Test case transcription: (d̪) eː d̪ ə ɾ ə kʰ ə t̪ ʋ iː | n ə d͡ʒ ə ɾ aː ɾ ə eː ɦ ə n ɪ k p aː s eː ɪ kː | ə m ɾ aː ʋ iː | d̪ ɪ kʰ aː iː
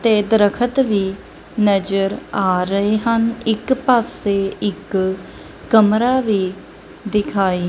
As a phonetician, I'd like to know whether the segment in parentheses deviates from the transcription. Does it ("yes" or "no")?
yes